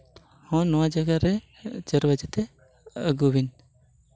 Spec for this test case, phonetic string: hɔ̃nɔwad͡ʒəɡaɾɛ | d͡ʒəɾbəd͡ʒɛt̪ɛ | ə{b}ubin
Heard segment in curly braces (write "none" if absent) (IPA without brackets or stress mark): ɡ